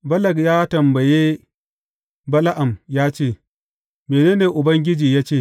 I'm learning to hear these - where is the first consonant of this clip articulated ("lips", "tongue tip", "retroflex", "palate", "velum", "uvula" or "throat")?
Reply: lips